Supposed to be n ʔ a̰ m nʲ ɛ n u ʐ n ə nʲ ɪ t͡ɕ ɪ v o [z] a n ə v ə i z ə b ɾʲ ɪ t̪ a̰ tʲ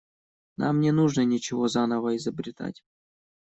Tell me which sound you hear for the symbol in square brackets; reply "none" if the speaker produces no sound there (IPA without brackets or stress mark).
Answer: z